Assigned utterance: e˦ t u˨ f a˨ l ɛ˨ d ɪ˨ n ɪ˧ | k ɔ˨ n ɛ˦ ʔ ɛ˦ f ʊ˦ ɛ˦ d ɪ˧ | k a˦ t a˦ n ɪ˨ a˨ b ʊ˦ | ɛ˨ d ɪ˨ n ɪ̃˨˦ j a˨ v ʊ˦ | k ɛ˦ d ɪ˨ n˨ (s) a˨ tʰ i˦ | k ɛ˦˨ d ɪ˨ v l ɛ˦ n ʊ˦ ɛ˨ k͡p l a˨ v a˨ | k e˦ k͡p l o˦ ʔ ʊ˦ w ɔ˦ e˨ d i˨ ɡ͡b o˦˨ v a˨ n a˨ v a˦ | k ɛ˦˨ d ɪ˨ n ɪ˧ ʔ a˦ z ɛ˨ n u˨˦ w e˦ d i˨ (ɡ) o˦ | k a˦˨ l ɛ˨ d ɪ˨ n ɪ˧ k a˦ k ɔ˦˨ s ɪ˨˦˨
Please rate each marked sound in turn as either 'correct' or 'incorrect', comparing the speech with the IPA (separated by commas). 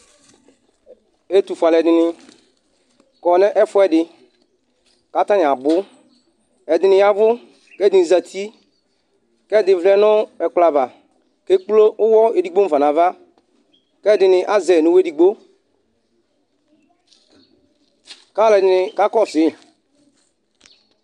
incorrect, incorrect